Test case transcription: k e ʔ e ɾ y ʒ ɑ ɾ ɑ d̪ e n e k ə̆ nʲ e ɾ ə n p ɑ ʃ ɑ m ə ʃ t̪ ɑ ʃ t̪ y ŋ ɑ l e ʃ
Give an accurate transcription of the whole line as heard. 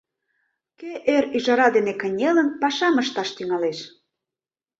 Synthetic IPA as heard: k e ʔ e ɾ y ʒ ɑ ɾ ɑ d̪ e n e k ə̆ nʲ e l ə n p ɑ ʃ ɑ m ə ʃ t̪ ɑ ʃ t̪ y ŋ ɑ l e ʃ